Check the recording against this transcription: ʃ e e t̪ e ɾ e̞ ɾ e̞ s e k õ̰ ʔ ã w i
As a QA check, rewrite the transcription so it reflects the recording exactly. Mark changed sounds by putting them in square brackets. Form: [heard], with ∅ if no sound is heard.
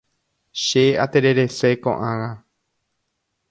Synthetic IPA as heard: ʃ e [a] t̪ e ɾ e̞ ɾ e̞ s e k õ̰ ʔ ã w [a]